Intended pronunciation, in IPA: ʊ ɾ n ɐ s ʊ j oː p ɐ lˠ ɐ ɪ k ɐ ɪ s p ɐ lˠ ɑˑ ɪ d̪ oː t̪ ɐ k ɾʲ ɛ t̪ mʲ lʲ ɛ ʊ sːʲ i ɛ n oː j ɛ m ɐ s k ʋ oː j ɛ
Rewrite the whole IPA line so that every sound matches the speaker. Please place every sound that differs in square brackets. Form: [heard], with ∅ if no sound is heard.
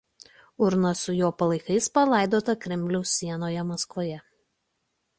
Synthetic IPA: ʊ ɾ n ɐ s ʊ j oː p ɐ lˠ ɐ ɪ k ɐ ɪ s p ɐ lˠ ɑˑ ɪ d̪ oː t̪ ɐ k ɾʲ ɛ [∅] mʲ lʲ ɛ ʊ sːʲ i ɛ n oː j ɛ m ɐ s k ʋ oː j ɛ